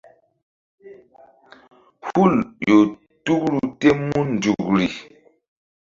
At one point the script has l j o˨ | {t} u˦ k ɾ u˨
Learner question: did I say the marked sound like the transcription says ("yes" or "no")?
yes